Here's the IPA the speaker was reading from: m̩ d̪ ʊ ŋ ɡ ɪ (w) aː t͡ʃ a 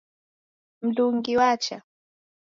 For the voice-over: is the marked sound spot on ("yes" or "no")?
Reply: yes